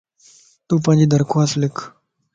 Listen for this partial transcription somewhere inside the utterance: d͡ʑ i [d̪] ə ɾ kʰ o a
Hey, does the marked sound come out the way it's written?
yes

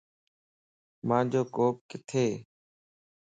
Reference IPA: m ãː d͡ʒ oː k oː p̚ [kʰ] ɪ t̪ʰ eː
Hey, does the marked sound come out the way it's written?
no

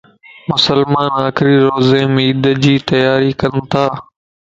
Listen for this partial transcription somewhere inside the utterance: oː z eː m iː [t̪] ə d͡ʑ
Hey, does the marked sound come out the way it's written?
no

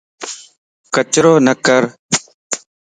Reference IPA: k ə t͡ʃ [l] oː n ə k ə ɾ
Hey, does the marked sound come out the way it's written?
no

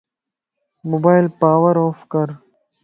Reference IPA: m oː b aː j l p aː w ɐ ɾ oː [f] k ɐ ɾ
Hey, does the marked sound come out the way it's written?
yes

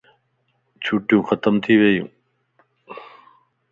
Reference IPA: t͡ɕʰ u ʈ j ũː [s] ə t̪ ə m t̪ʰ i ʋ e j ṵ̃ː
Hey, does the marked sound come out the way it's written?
no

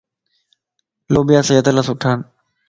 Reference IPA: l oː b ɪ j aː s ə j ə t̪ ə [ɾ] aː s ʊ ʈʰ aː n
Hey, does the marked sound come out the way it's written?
no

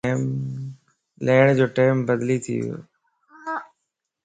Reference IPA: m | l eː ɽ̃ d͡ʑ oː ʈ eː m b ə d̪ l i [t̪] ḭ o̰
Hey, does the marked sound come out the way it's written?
no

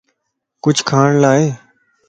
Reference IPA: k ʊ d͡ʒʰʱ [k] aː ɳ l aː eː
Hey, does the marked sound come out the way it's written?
no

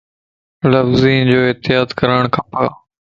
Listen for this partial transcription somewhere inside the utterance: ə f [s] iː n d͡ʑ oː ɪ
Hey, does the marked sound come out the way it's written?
no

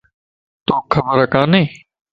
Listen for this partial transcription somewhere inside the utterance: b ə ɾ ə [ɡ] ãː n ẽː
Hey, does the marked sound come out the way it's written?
no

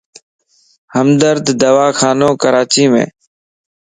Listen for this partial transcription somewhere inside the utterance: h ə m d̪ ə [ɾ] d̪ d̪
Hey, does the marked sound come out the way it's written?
yes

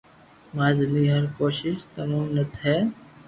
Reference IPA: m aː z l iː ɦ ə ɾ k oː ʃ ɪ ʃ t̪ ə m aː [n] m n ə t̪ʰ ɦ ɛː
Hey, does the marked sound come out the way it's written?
no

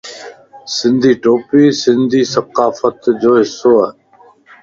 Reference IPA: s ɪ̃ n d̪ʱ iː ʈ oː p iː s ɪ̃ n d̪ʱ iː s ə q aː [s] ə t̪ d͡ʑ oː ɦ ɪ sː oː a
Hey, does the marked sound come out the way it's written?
no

